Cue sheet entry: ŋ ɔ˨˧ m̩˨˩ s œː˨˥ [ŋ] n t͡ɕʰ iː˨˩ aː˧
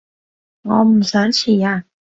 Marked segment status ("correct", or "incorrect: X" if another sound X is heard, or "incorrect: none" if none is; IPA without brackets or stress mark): incorrect: none